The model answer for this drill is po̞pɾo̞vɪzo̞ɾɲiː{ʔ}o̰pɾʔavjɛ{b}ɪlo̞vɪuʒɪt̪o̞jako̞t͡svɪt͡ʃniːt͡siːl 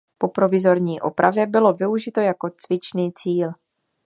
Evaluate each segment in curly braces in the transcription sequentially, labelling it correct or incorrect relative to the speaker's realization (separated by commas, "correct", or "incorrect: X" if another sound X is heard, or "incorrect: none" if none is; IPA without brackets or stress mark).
correct, correct